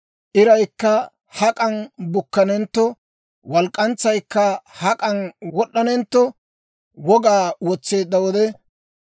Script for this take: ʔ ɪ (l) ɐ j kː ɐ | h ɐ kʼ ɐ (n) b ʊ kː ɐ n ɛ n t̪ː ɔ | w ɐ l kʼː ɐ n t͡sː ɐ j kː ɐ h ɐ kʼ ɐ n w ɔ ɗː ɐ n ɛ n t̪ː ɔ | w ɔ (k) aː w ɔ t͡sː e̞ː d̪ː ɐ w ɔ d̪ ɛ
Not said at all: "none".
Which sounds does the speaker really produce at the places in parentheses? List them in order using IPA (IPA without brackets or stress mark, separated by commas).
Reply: ɾ, n, ɡ